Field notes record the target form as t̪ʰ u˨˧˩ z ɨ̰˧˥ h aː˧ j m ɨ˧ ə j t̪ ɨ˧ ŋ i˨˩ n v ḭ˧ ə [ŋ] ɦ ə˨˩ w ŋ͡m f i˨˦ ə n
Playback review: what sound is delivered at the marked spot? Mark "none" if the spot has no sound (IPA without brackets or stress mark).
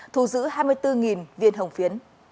n